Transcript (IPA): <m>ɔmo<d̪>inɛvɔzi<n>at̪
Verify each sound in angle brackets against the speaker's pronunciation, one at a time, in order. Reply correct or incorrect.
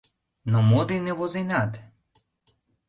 incorrect: n, correct, correct

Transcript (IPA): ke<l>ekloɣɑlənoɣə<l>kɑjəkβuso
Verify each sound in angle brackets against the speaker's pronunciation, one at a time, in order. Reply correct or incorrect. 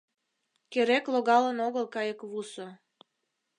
incorrect: ɾ, correct

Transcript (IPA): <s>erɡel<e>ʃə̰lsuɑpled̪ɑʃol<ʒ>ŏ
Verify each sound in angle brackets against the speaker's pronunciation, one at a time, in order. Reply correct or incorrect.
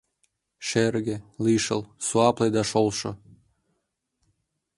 incorrect: ʃ, incorrect: i, incorrect: ʃ

